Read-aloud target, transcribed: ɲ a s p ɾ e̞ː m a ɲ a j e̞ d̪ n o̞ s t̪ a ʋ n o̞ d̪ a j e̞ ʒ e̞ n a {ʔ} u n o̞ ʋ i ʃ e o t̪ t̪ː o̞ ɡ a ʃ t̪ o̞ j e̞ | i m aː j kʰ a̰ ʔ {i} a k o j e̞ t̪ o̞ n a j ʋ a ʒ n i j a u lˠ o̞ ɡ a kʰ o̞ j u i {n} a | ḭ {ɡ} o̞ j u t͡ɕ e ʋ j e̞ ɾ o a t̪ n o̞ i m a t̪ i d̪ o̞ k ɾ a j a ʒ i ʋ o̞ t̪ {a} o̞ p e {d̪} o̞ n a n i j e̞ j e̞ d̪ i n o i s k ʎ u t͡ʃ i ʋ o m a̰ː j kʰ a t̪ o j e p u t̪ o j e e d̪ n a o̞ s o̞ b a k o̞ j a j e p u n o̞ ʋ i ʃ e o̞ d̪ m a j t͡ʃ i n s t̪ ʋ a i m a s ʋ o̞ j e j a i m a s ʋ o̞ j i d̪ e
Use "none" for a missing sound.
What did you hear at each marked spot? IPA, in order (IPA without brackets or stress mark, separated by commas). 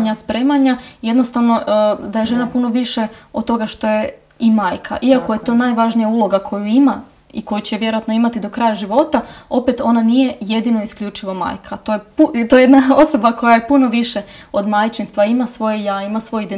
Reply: p, i, m, k, a, t̪